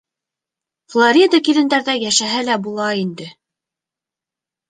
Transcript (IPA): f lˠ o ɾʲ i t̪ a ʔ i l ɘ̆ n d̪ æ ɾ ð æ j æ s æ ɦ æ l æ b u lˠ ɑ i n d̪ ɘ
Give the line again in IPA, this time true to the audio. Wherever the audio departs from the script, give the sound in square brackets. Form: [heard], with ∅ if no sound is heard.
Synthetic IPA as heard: f lˠ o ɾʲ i [d̪] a [k] i l ɘ̆ n d̪ æ ɾ ð æ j æ [ʃ] æ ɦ æ l æ b u lˠ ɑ i n d̪ ɘ